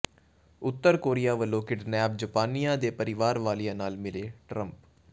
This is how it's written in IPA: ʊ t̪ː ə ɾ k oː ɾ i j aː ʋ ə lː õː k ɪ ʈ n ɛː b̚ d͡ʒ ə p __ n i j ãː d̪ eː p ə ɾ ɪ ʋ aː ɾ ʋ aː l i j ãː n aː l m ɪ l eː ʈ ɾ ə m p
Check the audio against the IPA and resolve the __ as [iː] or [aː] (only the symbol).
aː